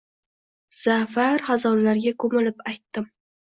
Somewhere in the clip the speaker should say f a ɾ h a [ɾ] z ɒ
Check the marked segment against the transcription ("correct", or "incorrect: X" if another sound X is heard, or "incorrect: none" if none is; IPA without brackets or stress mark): incorrect: none